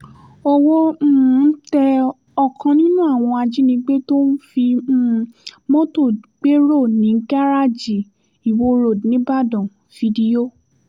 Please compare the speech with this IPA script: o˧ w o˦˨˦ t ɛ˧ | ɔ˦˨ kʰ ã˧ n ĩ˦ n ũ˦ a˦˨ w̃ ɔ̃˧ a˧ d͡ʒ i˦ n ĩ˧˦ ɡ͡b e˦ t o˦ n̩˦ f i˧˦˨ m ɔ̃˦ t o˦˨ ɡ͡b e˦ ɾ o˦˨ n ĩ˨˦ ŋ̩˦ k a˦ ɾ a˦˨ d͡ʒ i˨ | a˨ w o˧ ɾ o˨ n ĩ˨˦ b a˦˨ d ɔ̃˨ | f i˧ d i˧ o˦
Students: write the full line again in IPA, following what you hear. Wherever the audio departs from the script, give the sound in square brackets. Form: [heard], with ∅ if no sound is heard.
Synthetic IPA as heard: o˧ w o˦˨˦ t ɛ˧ | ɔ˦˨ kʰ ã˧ n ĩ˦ n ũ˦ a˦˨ w̃ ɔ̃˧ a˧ d͡ʒ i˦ n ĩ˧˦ ɡ͡b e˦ t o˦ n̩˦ f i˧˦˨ m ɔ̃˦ t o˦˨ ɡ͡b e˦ ɾ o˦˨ n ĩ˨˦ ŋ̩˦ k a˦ ɾ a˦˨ d͡ʒ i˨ | [i˨] w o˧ ɾ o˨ n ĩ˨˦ b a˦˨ d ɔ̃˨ | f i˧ d i˧ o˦